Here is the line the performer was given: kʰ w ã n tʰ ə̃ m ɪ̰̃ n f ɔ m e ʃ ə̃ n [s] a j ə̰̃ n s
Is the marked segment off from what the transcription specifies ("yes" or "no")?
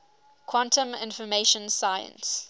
no